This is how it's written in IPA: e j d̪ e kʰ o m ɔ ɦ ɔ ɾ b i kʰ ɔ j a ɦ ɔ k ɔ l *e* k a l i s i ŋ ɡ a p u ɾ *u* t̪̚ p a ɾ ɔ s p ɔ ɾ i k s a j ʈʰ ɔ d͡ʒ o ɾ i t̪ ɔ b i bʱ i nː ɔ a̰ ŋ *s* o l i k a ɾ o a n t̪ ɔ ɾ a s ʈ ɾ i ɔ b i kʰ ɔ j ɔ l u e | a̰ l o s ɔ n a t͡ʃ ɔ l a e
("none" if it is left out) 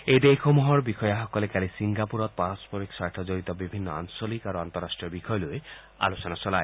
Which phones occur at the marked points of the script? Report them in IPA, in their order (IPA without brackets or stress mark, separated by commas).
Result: e, ɔ, s